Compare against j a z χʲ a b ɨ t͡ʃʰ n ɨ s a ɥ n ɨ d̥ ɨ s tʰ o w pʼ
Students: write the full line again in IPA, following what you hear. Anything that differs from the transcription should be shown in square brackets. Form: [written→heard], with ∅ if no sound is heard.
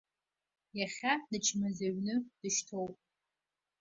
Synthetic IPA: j a [z→∅] χʲ a [b→d] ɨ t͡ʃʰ [n→m] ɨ [s→z] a ɥ n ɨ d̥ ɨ [s→ʃ] tʰ o w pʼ